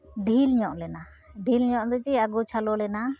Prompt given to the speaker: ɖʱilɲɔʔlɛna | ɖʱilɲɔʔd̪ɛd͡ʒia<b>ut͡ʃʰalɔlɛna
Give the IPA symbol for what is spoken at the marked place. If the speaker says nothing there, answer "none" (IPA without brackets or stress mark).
ɡ